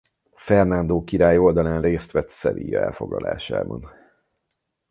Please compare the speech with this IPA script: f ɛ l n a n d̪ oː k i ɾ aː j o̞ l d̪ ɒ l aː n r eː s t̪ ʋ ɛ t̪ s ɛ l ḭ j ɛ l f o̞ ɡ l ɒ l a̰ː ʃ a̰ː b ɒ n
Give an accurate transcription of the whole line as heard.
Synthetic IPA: f ɛ r n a n d̪ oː k i ɾ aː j o̞ l d̪ ɒ l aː n r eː s t̪ ʋ ɛ t̪ s ɛ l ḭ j ɛ l f o̞ ɡ l ɒ l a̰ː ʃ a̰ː b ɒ n